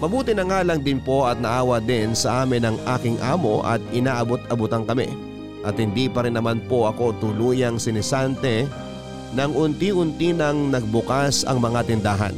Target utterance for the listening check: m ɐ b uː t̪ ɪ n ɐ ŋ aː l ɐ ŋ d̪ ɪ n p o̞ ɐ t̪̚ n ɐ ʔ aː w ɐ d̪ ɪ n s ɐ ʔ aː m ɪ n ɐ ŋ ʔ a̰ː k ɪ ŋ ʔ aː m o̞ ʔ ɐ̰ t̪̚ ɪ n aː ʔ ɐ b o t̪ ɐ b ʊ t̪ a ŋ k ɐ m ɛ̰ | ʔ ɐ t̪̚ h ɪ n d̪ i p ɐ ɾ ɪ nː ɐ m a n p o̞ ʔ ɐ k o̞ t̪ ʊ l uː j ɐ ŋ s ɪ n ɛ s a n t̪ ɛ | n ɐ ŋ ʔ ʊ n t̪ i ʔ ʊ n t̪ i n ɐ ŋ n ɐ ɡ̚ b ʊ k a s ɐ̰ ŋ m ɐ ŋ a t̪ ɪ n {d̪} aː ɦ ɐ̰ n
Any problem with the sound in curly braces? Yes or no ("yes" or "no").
no